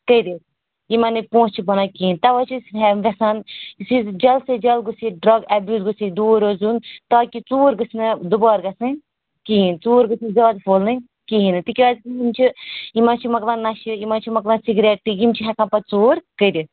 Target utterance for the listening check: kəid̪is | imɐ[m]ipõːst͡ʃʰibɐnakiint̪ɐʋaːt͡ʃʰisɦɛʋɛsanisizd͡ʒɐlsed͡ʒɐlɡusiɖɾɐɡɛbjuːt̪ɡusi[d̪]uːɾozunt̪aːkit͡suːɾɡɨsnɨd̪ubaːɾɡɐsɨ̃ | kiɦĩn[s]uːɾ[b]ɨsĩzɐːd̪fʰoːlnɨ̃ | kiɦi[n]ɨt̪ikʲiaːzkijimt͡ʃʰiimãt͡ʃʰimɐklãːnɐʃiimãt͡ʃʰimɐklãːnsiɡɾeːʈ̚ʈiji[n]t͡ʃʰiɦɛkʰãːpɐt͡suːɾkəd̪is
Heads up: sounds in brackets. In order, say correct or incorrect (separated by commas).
incorrect, correct, incorrect, incorrect, correct, incorrect